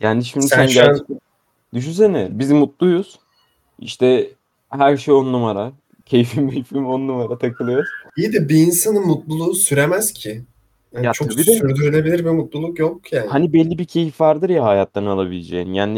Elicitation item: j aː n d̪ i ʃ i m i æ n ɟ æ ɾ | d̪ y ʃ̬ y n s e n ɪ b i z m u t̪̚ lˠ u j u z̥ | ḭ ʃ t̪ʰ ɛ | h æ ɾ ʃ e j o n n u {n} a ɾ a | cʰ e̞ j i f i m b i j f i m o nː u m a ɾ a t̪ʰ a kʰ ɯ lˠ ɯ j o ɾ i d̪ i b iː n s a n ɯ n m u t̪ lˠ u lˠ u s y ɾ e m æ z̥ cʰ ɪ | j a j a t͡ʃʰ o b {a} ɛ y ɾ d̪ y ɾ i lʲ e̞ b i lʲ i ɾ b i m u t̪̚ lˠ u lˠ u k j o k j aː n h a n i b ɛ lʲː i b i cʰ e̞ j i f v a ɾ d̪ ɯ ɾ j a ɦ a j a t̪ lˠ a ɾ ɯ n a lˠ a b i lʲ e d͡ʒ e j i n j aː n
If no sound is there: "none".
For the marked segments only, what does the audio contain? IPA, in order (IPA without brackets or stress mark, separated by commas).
m, i